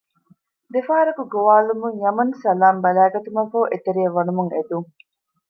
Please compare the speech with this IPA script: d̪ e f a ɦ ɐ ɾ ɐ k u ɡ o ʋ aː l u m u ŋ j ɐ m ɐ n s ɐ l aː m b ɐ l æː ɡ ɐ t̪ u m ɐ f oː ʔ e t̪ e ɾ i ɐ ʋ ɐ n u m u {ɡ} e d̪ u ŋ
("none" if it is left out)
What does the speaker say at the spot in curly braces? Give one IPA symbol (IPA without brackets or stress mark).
ŋ